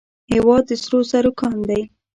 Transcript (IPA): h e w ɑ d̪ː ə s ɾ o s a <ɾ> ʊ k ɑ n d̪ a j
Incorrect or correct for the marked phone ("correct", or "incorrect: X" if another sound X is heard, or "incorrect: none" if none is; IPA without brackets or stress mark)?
correct